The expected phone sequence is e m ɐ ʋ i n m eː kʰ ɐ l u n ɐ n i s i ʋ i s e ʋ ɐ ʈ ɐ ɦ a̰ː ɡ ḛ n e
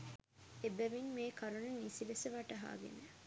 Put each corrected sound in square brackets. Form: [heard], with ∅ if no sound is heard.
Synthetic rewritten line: e [b] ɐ ʋ i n m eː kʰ ɐ [ɾ] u n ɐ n i s i ʋ [e] s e ʋ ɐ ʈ ɐ ɦ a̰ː ɡ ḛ n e